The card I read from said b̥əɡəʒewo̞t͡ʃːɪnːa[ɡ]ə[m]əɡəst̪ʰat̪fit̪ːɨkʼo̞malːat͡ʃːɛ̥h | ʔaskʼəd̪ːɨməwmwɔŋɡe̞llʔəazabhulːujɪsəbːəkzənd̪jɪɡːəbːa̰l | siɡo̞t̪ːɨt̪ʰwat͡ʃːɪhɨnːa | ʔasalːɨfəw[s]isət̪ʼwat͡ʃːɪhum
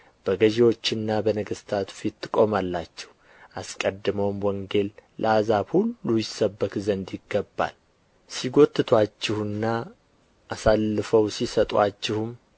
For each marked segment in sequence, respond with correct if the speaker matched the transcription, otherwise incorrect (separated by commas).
incorrect, incorrect, correct